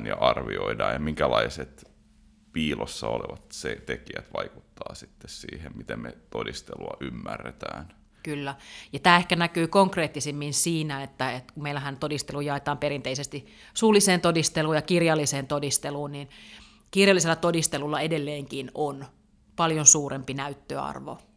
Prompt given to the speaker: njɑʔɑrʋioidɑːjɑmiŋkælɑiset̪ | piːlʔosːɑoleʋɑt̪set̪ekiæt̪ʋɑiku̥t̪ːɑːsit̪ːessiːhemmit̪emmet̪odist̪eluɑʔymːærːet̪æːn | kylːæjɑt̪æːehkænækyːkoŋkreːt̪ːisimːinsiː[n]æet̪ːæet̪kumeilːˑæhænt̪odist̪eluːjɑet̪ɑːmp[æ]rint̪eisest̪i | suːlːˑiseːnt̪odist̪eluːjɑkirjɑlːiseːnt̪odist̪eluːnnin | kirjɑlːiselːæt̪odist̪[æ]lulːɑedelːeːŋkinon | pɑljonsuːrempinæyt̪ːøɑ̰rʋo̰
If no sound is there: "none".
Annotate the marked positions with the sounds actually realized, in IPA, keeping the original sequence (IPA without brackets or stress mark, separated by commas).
n, e, e